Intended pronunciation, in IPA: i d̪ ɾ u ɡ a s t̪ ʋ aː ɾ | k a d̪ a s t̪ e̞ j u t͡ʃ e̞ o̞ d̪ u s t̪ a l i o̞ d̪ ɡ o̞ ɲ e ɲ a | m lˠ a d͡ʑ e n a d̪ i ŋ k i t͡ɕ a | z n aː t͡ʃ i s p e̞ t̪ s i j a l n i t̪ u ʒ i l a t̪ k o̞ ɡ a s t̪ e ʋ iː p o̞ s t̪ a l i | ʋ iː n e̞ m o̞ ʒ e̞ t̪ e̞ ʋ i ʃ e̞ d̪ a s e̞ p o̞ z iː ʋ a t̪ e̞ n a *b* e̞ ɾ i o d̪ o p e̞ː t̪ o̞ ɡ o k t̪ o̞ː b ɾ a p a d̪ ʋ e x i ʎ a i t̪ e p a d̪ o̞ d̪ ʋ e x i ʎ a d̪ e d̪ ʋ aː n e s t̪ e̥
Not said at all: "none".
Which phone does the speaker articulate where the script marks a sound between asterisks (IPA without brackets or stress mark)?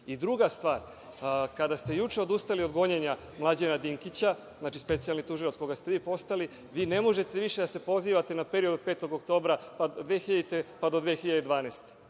p